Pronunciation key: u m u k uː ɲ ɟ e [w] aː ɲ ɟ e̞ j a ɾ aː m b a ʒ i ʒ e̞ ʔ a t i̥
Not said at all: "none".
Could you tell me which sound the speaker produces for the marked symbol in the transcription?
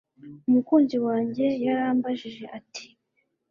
w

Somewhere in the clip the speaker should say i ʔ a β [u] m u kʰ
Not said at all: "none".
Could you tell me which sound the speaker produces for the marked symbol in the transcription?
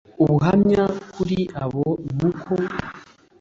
o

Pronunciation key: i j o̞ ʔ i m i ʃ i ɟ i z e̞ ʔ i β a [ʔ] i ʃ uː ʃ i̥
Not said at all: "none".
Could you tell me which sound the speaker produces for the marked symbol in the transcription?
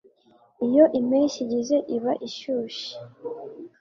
ʔ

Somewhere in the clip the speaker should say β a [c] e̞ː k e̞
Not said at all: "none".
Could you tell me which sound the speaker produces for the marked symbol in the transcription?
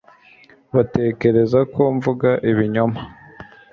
t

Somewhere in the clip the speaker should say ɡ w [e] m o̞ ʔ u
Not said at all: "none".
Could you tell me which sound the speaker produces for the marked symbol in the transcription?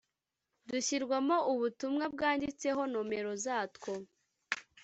a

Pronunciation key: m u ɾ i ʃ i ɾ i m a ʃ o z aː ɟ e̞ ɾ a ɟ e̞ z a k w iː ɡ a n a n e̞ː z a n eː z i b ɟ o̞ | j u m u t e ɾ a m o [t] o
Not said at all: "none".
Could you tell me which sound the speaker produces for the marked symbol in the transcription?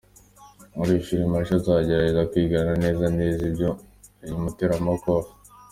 k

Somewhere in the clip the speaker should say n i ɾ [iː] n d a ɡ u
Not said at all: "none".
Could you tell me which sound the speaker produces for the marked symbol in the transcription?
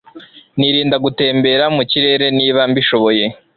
iː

